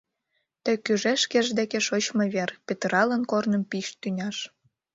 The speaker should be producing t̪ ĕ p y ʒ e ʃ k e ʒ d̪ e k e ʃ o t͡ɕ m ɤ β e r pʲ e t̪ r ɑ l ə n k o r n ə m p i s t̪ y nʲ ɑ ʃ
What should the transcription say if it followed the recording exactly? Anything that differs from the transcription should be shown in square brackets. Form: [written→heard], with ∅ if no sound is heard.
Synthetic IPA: t̪ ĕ [p→k] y ʒ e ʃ k e ʒ d̪ e k e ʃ o t͡ɕ m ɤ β e r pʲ e t̪ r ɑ l ə n k o r n ə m p i [s→ʃ] t̪ y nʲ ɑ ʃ